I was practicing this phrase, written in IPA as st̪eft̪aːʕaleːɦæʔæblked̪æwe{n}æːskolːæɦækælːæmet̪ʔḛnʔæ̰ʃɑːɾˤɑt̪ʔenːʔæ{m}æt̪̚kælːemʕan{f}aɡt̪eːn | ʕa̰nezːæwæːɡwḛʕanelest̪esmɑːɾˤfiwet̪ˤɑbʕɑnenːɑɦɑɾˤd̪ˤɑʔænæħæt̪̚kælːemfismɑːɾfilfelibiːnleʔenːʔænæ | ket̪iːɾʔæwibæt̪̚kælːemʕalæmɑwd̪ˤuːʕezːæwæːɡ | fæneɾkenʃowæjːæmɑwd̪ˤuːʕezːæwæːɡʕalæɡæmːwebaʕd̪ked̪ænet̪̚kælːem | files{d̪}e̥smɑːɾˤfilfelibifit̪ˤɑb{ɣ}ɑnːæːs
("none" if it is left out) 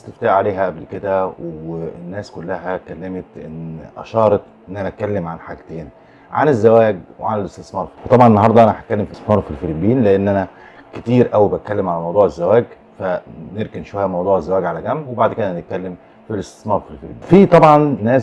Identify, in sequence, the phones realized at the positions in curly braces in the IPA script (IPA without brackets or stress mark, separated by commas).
nː, n, ħ, t̪, ʕ